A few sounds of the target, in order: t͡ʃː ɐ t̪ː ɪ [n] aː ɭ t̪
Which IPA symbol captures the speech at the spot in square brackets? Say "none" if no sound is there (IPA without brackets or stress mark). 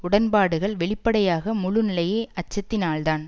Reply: n